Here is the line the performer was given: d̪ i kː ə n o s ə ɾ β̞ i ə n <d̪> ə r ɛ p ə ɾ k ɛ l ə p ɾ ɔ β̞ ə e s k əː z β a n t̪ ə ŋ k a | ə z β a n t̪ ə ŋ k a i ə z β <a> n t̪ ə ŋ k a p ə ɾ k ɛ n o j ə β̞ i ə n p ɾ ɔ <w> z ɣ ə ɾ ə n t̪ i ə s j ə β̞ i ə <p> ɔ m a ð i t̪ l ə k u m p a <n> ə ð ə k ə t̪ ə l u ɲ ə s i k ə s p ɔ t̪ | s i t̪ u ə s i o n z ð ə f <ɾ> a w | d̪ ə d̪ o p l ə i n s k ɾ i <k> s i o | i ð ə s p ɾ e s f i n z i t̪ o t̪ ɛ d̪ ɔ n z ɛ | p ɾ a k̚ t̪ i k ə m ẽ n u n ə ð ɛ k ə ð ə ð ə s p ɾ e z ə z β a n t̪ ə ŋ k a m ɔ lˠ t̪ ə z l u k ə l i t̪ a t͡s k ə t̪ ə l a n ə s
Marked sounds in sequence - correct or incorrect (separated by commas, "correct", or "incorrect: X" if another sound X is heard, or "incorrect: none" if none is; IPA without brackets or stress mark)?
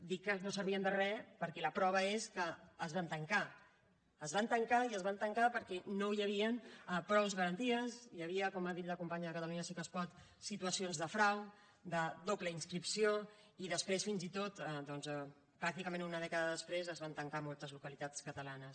correct, correct, correct, incorrect: k, incorrect: ɲ, correct, incorrect: p